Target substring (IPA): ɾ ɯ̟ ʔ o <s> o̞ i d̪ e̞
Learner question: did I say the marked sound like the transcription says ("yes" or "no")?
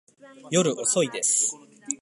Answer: yes